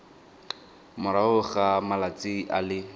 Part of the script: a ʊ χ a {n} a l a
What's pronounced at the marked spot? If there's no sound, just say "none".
m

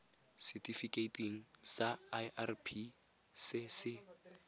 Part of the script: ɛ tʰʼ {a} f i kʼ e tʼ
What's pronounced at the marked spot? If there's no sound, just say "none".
i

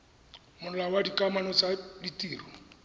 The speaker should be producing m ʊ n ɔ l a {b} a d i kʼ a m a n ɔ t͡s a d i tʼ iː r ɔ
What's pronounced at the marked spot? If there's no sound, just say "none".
w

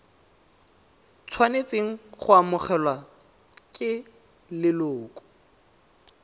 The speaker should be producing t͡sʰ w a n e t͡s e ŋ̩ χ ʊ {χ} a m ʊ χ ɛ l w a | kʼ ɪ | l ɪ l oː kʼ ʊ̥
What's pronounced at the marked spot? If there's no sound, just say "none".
none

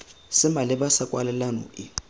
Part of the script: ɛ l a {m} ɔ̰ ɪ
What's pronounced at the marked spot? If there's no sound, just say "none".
n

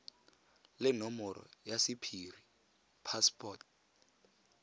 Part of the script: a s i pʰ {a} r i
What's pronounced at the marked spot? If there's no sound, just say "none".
i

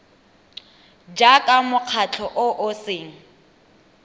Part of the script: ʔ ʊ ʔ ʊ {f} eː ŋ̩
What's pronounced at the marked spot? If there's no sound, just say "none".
s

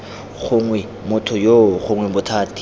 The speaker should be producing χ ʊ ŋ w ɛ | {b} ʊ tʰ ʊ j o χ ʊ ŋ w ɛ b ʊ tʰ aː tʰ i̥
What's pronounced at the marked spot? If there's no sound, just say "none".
m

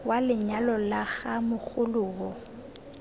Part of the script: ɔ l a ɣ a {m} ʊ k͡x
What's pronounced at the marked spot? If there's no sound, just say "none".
m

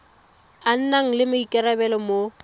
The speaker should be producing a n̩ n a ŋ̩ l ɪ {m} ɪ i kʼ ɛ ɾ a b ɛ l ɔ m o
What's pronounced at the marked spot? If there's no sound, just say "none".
m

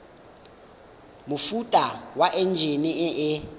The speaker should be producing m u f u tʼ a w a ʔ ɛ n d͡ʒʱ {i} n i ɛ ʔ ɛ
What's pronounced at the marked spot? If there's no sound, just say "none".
e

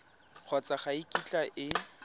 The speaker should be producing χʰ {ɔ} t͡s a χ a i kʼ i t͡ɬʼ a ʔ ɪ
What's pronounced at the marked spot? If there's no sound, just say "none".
ɔ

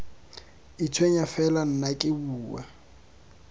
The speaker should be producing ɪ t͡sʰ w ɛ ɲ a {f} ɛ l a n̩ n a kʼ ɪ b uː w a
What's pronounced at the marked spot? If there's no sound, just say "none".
f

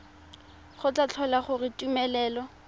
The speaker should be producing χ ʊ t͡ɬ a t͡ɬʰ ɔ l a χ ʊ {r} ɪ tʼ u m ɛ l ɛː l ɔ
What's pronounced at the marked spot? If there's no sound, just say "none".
r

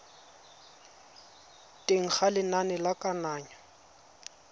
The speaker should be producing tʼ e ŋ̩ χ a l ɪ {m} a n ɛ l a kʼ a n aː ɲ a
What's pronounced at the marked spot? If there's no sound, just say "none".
n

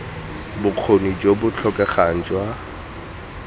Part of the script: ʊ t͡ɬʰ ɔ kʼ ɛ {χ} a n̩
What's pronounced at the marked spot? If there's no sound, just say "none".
χ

